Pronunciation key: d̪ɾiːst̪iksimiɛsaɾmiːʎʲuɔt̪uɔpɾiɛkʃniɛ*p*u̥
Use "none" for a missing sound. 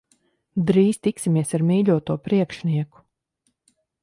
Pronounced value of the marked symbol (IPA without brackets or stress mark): k